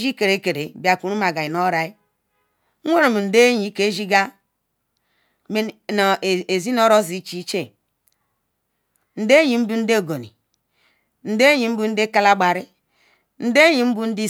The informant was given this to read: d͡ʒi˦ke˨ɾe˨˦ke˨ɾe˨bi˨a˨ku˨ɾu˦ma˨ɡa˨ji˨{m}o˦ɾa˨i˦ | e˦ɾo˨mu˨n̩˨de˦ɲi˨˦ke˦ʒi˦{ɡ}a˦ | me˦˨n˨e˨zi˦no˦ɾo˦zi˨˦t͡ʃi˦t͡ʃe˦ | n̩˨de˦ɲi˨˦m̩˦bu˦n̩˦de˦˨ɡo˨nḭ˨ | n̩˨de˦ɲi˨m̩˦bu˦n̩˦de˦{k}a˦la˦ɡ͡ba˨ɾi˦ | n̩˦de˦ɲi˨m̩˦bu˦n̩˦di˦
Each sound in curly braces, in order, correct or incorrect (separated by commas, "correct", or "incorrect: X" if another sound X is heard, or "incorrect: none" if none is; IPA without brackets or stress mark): incorrect: n, correct, correct